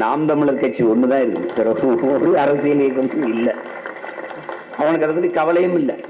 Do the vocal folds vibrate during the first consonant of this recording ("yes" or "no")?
yes